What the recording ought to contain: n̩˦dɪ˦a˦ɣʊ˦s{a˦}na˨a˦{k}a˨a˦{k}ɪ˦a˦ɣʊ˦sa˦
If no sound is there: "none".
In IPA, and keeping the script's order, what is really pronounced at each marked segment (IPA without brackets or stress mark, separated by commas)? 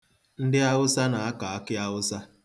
a˦, k, k